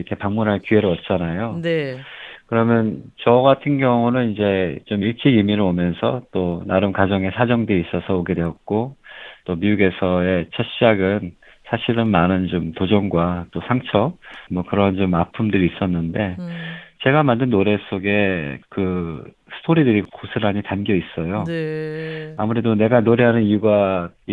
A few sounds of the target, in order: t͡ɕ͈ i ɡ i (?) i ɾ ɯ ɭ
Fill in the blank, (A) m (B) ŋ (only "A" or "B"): A